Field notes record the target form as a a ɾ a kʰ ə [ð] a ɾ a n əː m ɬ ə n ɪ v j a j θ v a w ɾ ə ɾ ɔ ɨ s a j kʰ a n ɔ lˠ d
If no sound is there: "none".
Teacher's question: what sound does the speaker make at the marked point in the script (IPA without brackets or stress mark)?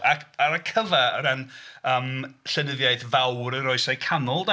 v